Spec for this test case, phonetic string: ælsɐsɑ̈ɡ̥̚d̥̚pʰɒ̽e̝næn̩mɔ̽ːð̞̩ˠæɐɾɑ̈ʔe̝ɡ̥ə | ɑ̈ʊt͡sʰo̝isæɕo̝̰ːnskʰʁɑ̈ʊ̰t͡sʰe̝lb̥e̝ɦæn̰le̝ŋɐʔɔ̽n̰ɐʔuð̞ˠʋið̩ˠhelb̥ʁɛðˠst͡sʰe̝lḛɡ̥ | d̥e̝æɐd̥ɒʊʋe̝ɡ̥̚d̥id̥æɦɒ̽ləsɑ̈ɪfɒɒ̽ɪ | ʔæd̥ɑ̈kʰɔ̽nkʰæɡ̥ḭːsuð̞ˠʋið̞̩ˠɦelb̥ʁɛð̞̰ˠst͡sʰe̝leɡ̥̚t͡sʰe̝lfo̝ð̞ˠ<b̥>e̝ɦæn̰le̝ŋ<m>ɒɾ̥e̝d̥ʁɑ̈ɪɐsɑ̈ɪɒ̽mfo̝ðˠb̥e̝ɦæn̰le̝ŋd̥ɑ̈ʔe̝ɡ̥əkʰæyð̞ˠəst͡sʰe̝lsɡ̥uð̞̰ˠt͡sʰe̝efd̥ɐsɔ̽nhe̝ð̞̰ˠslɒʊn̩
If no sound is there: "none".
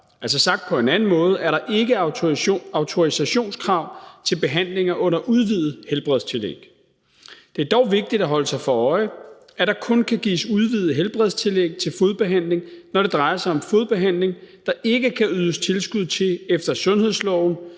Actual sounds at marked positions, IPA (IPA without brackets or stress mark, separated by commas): b̥, n